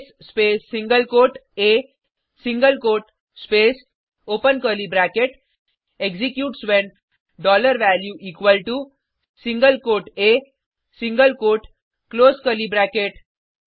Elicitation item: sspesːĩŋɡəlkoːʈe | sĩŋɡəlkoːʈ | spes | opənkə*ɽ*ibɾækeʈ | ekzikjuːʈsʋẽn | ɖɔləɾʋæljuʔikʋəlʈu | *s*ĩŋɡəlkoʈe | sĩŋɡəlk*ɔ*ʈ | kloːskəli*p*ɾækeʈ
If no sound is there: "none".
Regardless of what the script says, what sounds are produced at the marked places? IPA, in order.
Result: l, s, o, b

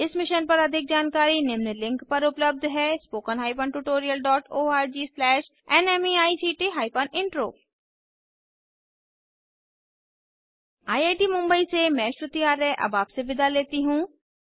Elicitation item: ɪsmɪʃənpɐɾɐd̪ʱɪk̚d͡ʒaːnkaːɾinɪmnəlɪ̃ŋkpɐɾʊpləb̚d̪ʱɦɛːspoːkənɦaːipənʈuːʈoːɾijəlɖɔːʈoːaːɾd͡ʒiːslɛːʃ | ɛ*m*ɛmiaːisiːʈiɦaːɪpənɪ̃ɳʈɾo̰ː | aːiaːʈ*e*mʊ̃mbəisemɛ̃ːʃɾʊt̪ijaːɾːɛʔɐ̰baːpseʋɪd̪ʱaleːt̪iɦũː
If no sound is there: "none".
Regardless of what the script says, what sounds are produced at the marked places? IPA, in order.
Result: n, i

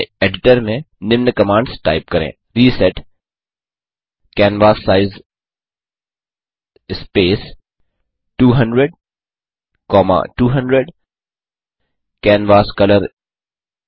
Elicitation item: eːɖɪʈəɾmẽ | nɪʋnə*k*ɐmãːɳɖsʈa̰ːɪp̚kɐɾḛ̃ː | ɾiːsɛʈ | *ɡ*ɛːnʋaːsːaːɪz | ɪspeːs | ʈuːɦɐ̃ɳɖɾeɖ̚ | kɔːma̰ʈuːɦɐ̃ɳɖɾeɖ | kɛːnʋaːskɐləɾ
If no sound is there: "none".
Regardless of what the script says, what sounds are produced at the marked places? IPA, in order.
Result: k, k

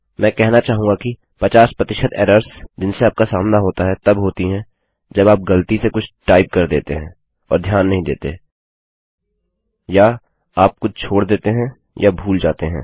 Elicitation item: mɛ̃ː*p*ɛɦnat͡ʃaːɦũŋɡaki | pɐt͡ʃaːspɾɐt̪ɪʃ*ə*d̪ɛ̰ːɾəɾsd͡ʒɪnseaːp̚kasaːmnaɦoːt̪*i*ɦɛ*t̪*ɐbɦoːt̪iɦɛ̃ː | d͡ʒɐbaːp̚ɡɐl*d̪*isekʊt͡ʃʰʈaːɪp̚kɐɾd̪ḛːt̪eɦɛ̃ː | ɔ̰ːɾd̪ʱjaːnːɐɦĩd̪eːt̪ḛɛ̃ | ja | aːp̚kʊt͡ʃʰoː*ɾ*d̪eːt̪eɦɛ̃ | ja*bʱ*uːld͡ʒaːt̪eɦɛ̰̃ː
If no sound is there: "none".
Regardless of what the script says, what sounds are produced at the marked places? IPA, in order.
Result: k, ə, a, t̪, t̪, ɽ, bʱ

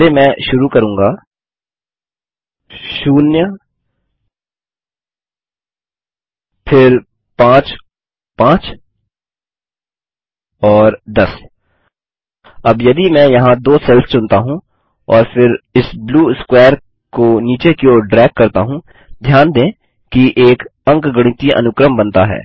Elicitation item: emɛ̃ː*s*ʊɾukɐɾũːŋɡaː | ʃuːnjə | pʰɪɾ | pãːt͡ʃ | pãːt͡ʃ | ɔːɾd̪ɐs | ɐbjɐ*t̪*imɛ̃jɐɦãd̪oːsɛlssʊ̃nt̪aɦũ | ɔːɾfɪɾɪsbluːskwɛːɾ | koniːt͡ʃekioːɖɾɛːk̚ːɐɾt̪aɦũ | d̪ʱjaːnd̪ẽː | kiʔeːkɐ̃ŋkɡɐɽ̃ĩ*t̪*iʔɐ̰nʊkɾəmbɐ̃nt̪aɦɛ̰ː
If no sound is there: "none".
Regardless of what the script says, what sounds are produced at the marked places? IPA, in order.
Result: ʃ, d̪, t̪

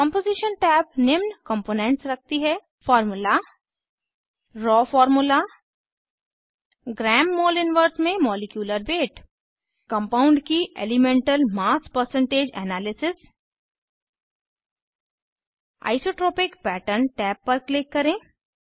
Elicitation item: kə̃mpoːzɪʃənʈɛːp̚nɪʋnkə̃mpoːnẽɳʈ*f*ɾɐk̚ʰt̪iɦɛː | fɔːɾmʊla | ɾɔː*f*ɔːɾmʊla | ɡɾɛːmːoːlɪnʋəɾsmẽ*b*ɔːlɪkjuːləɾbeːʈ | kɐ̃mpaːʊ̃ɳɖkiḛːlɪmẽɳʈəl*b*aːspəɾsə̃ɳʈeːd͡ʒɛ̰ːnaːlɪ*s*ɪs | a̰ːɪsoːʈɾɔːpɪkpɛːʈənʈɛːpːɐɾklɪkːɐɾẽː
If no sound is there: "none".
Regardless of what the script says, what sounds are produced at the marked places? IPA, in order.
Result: s, f, m, m, s

